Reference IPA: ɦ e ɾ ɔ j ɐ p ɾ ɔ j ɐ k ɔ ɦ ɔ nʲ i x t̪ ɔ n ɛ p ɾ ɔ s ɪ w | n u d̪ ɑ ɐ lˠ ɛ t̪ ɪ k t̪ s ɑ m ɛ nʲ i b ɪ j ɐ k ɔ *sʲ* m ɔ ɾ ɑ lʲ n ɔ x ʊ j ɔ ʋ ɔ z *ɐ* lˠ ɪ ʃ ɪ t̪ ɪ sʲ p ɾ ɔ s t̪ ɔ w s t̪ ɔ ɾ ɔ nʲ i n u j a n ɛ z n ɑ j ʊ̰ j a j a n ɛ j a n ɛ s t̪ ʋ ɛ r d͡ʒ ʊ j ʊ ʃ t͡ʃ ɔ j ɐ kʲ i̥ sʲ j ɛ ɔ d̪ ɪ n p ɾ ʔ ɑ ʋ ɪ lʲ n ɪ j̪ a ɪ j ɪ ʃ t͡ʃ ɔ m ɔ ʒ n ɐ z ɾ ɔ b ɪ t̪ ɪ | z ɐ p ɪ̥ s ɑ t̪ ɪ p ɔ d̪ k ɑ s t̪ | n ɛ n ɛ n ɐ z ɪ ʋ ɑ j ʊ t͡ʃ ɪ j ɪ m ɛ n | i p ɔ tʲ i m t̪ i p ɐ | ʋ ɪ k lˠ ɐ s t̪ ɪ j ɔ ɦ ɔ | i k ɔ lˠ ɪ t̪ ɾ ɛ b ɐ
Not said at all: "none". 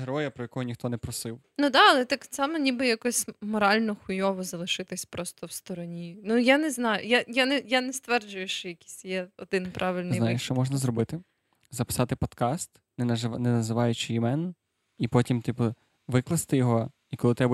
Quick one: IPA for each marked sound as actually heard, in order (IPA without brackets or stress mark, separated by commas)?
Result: sʲ, ɐ